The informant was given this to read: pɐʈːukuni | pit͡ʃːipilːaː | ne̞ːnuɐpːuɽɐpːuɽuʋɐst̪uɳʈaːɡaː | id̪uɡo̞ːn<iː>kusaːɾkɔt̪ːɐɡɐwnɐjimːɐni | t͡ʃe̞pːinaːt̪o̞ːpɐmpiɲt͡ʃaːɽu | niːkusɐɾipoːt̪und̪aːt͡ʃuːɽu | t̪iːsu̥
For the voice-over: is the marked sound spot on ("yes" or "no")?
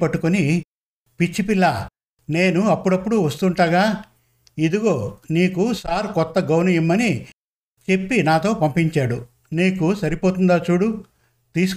yes